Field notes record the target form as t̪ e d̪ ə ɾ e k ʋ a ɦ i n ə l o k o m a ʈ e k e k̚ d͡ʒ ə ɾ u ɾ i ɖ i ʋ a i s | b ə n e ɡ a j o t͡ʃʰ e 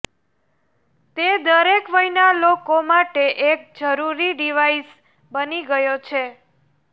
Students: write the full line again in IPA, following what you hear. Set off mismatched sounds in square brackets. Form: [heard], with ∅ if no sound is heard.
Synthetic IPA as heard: t̪ e d̪ ə ɾ e k ʋ [ə] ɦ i n [a] l o k o m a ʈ e [ʔ] e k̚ d͡ʒ ə ɾ u ɾ i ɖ i ʋ a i s | b ə n [i] ɡ [ə] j o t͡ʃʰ e